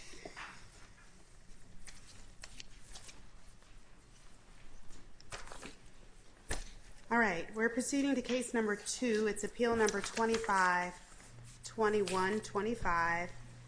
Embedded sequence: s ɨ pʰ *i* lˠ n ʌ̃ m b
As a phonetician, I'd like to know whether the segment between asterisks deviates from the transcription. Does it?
no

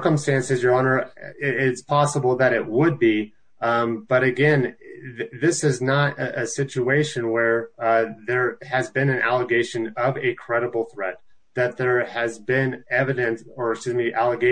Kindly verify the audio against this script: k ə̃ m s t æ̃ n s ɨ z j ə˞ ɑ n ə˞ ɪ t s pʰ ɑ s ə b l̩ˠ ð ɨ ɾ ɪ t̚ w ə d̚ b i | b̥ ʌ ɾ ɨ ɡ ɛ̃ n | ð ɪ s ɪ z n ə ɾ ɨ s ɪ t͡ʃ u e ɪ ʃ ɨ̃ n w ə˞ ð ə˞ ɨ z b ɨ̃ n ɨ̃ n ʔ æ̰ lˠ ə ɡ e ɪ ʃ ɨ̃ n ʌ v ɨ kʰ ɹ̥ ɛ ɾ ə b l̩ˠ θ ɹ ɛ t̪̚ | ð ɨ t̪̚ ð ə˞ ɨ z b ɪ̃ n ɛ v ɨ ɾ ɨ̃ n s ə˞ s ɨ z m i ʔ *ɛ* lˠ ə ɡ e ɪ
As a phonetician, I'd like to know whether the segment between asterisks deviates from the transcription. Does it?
yes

